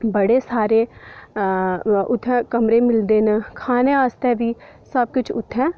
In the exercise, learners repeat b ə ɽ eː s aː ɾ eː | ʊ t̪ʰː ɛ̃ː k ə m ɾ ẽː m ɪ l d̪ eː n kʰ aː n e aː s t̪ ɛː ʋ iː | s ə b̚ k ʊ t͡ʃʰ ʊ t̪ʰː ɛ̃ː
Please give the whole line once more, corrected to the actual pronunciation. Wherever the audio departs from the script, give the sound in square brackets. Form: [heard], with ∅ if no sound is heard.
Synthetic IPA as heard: b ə ɽ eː s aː ɾ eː | ʊ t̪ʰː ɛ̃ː k ə m ɾ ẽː m ɪ l d̪ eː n kʰ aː n e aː s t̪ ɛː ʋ iː | s ə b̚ k ʊ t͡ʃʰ ʊ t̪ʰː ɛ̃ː